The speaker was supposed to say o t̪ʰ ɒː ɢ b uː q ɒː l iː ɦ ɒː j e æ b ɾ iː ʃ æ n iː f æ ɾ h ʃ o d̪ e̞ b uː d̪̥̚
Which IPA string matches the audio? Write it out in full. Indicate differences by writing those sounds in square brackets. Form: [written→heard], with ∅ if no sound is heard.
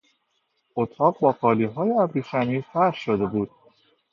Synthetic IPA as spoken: o t̪ʰ ɒː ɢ b [uː→ɒː] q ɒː l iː ɦ ɒː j e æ b ɾ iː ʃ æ n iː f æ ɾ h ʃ o d̪ e̞ b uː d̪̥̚